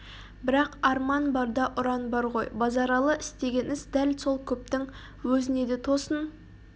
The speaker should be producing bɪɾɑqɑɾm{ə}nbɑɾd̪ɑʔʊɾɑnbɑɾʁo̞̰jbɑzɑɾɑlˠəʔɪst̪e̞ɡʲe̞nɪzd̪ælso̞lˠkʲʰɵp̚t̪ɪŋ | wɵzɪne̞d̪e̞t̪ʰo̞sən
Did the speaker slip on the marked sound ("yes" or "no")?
yes